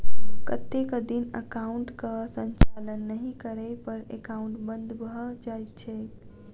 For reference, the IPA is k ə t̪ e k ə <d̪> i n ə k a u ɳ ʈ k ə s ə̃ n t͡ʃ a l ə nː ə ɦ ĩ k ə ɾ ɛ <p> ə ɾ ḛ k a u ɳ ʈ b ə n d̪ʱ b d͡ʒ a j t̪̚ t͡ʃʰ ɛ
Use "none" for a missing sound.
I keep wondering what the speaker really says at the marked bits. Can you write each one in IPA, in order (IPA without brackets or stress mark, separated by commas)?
d̪, p